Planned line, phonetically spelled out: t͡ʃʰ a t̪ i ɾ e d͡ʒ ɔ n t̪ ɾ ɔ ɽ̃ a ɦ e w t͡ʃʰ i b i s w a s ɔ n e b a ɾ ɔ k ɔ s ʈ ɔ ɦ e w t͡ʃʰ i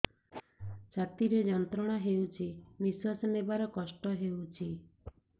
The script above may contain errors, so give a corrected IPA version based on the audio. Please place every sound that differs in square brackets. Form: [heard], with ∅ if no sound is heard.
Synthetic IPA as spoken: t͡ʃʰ a t̪ i ɾ e d͡ʒ ɔ n t̪ ɾ ɔ ɽ̃ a ɦ e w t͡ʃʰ i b i s w a s ɔ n e b a ɾ ɔ k ɔ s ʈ ɔ ɦ e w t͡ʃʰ i